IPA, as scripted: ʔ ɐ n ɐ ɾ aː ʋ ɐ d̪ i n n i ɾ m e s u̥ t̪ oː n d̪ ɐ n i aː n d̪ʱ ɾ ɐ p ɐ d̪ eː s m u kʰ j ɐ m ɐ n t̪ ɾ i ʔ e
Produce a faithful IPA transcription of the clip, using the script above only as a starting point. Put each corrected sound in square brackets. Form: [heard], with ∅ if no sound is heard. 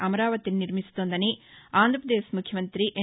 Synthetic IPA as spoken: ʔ ɐ [m] ɐ ɾ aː ʋ ɐ [t̪] i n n i ɾ m [i] s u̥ t̪ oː n d̪ ɐ n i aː n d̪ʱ ɾ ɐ p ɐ d̪ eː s m u kʰ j ɐ m ɐ n t̪ ɾ i ʔ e